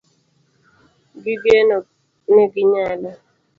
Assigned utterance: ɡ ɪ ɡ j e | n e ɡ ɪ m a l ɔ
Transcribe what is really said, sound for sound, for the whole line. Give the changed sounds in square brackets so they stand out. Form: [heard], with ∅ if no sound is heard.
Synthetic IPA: ɡ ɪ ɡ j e | n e ɡ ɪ [ɲ] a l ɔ